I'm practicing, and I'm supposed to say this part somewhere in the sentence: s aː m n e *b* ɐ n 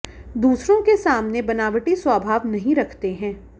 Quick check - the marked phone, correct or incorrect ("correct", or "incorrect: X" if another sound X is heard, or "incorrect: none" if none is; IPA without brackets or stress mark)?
correct